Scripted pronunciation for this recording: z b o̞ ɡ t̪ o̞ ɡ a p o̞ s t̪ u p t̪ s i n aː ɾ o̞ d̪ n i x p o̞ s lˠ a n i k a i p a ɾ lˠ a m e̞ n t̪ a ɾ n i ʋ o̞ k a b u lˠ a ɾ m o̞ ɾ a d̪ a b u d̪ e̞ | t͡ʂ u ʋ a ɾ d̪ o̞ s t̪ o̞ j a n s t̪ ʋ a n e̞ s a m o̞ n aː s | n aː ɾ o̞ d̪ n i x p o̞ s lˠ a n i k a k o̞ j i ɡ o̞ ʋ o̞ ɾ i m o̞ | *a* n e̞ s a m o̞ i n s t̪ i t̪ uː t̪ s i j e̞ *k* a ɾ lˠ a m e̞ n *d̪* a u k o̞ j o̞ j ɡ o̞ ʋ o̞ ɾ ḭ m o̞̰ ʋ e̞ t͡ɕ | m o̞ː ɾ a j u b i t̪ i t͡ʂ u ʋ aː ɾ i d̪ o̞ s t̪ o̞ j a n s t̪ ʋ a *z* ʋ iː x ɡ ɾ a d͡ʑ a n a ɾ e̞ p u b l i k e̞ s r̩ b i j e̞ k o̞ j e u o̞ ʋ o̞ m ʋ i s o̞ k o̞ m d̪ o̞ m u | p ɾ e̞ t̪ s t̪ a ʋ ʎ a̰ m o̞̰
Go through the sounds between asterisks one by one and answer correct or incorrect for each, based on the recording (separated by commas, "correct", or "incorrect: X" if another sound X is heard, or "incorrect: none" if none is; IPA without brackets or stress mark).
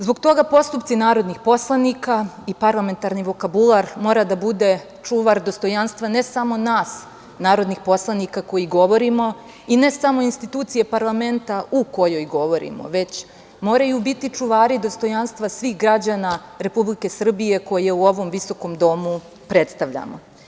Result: incorrect: i, incorrect: p, incorrect: t̪, incorrect: s